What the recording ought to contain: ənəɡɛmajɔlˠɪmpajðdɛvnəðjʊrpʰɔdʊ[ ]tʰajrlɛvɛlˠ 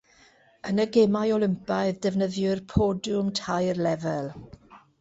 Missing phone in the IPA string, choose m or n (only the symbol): m